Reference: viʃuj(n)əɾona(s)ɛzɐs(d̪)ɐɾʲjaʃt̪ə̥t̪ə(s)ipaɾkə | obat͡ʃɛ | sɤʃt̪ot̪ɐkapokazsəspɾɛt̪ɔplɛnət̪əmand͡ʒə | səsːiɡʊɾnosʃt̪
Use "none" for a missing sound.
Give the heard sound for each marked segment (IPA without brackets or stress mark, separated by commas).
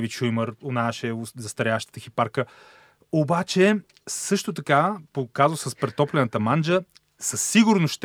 m, ʃ, t̪, x